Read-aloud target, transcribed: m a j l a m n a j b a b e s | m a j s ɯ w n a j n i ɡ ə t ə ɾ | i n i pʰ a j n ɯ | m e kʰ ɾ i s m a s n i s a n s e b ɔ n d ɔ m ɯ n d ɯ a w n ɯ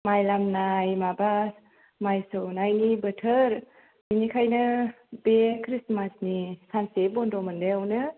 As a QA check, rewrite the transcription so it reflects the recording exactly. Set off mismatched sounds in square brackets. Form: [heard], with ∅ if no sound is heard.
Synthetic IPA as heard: m a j l a m n a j [m] a b [a] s | m a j s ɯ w n a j n i [b] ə [tʰ] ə ɾ | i n i [kʰ] a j n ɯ | [b] e kʰ ɾ i s m a s n i s a n s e b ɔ n d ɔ m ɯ n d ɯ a w n ɯ